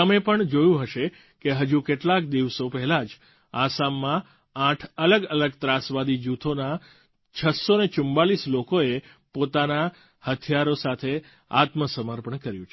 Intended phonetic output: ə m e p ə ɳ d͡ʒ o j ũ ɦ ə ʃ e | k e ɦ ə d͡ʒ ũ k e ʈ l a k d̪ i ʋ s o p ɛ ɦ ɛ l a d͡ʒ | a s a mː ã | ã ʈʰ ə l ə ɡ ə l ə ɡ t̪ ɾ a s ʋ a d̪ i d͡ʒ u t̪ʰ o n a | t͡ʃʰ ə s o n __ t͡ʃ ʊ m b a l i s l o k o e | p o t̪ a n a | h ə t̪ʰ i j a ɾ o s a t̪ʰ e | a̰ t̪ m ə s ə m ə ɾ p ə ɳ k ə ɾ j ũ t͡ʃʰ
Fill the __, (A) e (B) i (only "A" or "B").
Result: A